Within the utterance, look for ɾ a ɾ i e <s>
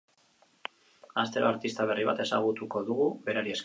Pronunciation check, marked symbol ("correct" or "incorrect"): correct